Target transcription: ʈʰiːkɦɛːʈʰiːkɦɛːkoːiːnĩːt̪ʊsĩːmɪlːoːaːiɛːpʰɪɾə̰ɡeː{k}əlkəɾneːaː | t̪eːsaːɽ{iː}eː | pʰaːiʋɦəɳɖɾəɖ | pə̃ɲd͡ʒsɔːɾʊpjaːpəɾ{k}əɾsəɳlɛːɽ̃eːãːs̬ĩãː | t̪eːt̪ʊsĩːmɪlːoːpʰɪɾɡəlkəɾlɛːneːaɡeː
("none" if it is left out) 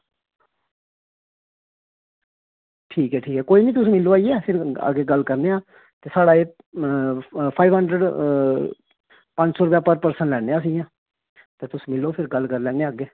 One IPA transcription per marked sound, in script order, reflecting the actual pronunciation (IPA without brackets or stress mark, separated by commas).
ɡ, aː, p